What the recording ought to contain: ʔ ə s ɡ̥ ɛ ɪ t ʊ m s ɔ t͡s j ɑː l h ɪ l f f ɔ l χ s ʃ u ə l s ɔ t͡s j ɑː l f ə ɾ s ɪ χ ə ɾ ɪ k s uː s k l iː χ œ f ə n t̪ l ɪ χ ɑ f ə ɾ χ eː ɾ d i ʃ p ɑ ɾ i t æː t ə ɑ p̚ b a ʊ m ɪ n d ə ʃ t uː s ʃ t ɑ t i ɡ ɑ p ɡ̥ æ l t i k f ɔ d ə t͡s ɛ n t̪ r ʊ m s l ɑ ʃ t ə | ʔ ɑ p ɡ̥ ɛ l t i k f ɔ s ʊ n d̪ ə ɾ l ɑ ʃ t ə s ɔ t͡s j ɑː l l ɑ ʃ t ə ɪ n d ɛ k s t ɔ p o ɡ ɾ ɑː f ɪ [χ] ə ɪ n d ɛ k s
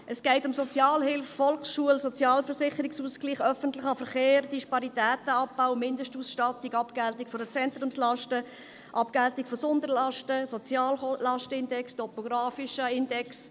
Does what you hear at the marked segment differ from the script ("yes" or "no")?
yes